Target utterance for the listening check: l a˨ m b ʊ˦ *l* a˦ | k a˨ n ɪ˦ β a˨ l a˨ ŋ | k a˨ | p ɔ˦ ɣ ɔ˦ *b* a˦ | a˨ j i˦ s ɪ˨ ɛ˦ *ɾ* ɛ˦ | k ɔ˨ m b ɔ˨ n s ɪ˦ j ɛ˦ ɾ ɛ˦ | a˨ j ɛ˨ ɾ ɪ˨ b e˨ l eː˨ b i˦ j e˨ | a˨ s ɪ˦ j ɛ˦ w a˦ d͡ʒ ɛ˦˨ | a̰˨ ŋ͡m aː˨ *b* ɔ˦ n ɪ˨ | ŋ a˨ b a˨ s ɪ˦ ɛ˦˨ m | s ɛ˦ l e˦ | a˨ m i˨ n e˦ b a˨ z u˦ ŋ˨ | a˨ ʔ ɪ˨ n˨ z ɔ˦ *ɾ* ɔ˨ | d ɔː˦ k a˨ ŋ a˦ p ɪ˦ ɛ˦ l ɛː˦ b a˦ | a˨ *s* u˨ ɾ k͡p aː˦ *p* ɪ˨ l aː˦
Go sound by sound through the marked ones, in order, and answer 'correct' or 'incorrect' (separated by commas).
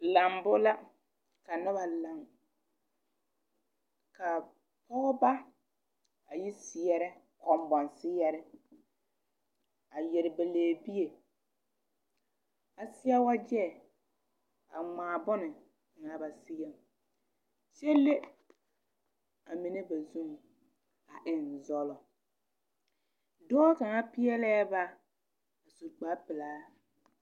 correct, correct, correct, correct, incorrect, correct, correct